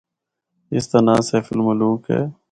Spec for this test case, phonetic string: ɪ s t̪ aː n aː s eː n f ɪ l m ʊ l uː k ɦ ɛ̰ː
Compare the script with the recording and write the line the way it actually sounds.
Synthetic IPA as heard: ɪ s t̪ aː n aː s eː f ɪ l m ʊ l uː k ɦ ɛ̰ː